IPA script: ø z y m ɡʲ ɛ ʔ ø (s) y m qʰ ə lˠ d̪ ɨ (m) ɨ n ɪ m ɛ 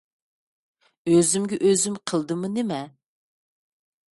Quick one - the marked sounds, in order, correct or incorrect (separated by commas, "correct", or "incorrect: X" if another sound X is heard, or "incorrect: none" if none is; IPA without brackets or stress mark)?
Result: incorrect: z, correct